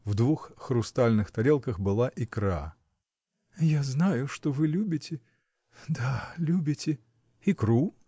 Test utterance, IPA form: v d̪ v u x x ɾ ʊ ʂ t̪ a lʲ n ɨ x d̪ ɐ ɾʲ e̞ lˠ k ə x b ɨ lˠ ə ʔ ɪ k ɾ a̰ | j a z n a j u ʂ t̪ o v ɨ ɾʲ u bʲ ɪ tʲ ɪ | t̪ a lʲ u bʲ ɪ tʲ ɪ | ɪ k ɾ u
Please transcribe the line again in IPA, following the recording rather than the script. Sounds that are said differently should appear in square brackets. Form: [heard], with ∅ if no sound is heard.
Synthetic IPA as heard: v d̪ v u x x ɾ ʊ [s] t̪ a lʲ n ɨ x [t̪] ɐ ɾʲ e̞ lˠ k ə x b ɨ lˠ [a] ʔ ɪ k ɾ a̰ | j a z n a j [ʊ] ʂ t̪ o v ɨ [lʲ] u bʲ ɪ tʲ ɪ | [d̪] a lʲ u bʲ ɪ tʲ ɪ | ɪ k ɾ u